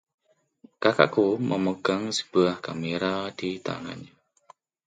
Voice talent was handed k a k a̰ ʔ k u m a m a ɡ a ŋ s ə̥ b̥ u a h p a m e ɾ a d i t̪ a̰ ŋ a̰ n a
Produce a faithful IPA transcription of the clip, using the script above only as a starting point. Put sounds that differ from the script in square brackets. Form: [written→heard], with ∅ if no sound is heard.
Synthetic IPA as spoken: k a k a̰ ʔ k u m [a→ə] m [a→ə] ɡ a ŋ s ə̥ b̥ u a h [p→k] a m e ɾ a d i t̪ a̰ ŋ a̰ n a